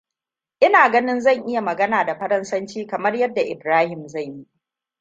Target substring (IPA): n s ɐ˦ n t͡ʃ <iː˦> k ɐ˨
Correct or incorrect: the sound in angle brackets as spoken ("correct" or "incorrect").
correct